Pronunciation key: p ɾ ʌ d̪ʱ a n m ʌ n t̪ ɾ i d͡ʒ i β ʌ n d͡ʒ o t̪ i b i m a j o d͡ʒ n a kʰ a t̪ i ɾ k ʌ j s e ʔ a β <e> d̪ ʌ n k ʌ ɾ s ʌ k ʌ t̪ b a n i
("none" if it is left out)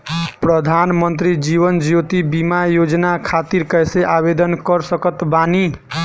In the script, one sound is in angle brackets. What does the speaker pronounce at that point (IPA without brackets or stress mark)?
e